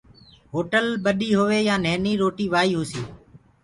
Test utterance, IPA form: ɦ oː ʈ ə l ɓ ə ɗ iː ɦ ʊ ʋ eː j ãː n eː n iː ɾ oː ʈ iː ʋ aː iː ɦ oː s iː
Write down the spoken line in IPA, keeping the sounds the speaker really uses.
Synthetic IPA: ɦ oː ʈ ə l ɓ ə ɗ iː ɦ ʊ ʋ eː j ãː n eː n iː ɾ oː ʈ iː ʋ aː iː ɦ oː s iː